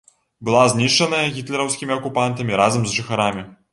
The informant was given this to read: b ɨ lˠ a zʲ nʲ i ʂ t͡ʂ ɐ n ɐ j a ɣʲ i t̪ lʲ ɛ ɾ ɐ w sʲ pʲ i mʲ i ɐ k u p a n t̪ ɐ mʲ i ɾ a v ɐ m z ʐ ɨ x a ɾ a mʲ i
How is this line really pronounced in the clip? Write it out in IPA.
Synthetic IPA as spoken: b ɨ lˠ a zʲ nʲ i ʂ t͡ʂ ɐ n ɐ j ɐ ɣʲ i t̪ lʲ ɛ ɾ ɐ w sʲ kʲ i mʲ i ɐ k u p a n t̪ ɐ mʲ i ɾ a z ɐ m z ʐ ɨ x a ɾ a mʲ i